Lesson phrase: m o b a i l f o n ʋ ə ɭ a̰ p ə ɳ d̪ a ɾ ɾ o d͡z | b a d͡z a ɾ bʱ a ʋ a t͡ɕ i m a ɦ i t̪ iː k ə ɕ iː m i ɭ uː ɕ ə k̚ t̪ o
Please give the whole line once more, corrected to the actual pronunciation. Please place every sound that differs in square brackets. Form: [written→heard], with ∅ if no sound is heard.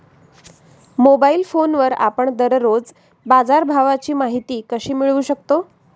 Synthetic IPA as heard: m o b a i l f o n ʋ ə [ɭ→ɾ] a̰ p ə ɳ d̪ [a→ə] ɾ ɾ o d͡z | b a d͡z a ɾ bʱ a ʋ a t͡ɕ [i→iː] m a ɦ i t̪ iː k ə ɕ iː m i ɭ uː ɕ ə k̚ t̪ o